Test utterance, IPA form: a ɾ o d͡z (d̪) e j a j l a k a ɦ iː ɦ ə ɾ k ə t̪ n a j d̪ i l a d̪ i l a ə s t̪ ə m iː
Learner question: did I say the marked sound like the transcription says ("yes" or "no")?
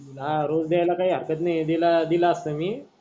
yes